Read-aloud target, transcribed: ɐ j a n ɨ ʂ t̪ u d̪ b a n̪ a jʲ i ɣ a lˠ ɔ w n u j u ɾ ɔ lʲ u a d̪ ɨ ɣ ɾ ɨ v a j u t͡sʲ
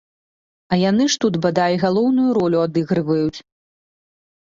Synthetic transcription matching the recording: ɐ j a n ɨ ʂ t̪ u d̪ b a d̪ a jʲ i ɣ a lˠ ɔ w n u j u ɾ ɔ lʲ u a d̪ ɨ ɣ ɾ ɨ v ɐ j u t͡sʲ

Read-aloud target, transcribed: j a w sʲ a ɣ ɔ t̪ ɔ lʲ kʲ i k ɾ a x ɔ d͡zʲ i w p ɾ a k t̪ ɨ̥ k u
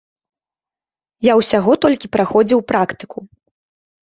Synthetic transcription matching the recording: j a w sʲ a ɣ ɔ t̪ ɔ lʲ kʲ i p ɾ a x ɔ d͡zʲ i w p ɾ a k t̪ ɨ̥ k u

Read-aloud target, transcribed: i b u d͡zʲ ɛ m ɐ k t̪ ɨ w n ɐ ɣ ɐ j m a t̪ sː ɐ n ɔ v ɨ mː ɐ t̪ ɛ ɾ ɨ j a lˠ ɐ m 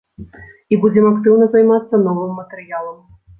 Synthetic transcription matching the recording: i b u d͡zʲ ɛ m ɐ k t̪ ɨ w n ɐ z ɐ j m a t̪ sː ɐ n ɔ v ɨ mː ɐ t̪ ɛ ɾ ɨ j a lˠ ɐ m

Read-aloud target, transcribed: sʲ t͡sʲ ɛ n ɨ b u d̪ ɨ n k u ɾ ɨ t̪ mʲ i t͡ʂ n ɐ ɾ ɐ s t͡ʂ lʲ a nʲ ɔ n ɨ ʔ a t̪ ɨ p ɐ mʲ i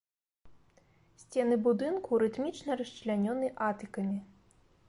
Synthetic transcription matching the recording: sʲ t͡sʲ ɛ n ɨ b u d̪ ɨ n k u ɾ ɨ t̪ mʲ i t͡ʂ n ɐ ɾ ɐ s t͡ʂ lʲ a nʲ ɔ n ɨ ʔ a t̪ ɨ k ɐ mʲ i

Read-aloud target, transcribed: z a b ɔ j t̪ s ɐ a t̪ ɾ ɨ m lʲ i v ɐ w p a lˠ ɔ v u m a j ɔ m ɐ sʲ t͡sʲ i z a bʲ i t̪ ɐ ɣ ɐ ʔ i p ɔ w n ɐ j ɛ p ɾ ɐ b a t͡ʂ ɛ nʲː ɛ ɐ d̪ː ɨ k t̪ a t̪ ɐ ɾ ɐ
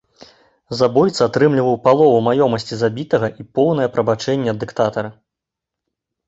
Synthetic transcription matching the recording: z a b ɔ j t̪ s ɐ a t̪ ɾ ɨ m lʲ i v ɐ w p a lˠ ɔ v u m a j ɔ m ɐ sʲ t͡sʲ i z a bʲ i t̪ ɐ ɣ ɐ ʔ i p ɔ w n ɐ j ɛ p ɾ ɐ b a t͡ʂ ɛ nʲː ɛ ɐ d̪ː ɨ k t̪ a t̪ ɐ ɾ ɐ

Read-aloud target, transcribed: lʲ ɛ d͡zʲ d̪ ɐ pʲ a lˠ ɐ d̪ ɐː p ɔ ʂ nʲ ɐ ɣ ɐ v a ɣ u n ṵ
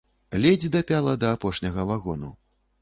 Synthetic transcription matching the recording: lʲ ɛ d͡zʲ d̪ ɐ pʲ a lˠ ɐ d̪ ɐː p ɔ ʂ nʲ ɐ ɣ ɐ v a ɣ ɔ n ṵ

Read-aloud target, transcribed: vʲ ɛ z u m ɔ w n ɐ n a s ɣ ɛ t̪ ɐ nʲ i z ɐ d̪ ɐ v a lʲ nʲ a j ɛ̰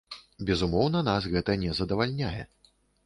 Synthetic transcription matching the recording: bʲ ɛ z u m ɔ w n ɐ n a s ɣ ɛ t̪ ɐ nʲ ɛ z ɐ d̪ ɐ v a lʲ nʲ a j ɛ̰

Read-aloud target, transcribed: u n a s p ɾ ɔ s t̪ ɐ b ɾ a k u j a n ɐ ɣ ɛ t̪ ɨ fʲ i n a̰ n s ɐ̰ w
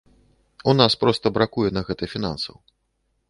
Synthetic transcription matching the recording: u n a s p ɾ ɔ s t̪ ɐ b ɾ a k u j ɛ n ɐ ɣ ɛ t̪ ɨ fʲ i n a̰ n s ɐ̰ w

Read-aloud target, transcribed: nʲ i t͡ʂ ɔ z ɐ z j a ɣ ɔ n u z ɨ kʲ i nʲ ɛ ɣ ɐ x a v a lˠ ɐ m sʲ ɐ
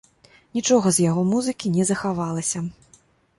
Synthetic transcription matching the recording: nʲ i t͡ʂ ɔ ɣ ɐ z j a ɣ ɔ m u z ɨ kʲ i nʲ ɛ z ɐ x a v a lˠ ɐ sʲ ɐ

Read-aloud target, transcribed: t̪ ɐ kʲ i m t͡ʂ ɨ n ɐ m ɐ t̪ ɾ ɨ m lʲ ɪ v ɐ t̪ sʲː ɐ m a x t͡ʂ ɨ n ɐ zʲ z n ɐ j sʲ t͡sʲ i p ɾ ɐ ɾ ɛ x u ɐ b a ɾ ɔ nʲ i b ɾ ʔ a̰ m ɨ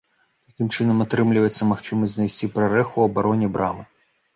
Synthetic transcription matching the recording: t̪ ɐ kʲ i m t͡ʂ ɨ n ɐ m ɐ t̪ ɾ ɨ m lʲ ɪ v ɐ t̪ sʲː ɐ m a x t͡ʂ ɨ m ɐ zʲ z n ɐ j sʲ t͡sʲ i p ɾ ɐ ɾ ɛ x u ɐ b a ɾ ɔ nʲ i b ɾ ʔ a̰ m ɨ

